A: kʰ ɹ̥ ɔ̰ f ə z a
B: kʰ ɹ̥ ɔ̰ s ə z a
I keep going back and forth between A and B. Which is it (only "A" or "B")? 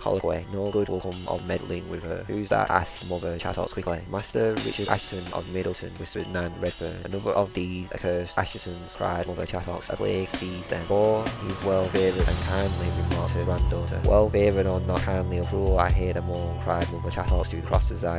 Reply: B